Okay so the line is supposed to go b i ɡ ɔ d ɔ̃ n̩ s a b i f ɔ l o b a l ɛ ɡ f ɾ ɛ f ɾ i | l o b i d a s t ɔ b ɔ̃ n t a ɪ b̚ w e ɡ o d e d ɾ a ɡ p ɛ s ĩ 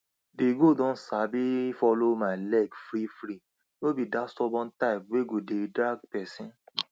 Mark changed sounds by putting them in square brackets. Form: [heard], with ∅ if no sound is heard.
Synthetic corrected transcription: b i ɡ [o] d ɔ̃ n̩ s a b i f ɔ l o [m] a l ɛ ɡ f ɾ [i] f ɾ i | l o b i d a s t ɔ b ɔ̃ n t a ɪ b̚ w e ɡ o d e d ɾ a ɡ p ɛ s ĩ